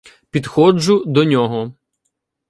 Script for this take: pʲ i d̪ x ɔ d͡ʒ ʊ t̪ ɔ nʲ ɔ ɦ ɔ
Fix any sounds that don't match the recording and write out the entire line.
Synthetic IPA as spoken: pʲ i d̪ x ɔ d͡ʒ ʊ d̪ ɔ nʲ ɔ ɦ ɔ